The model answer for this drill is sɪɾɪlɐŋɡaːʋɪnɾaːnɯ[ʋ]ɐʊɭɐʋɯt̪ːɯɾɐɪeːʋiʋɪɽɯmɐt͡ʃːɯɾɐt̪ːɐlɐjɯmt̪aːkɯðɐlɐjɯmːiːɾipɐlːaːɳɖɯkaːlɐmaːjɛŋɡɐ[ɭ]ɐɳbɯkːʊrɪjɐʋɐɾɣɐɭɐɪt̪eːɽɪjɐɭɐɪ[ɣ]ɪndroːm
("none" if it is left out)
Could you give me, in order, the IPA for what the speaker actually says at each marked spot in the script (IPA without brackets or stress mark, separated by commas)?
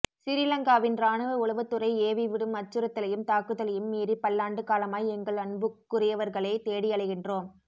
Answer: ʋ, ɭ, ɣ